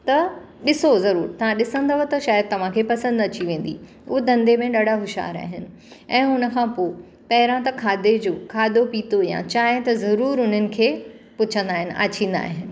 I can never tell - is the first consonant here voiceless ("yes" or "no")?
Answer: yes